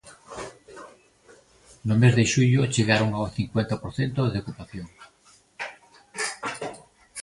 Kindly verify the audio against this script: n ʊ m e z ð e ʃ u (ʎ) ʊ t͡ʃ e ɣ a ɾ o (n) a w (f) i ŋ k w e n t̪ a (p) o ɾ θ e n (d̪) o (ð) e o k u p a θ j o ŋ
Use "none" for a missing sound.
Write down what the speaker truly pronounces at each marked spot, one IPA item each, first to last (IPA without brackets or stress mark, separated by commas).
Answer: ʎ, ŋ, θ, p, t̪, ð